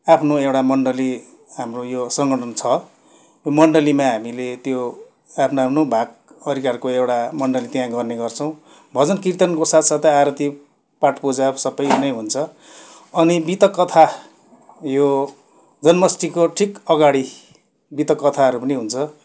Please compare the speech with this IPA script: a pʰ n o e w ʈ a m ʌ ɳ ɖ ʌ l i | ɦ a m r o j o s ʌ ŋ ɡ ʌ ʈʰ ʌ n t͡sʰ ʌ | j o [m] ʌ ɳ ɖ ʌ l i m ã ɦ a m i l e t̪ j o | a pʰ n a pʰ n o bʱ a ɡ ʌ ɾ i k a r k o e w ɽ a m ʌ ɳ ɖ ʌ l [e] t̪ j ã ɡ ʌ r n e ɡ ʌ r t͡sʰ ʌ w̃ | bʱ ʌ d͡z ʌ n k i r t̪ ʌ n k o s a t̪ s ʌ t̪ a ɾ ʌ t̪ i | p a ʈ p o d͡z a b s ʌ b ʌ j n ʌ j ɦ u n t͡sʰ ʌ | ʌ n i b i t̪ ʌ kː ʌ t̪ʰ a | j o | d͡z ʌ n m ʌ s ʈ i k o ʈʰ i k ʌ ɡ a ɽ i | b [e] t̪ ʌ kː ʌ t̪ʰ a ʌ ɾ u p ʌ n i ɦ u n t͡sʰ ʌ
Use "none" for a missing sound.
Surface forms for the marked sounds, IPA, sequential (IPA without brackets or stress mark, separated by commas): m, i, i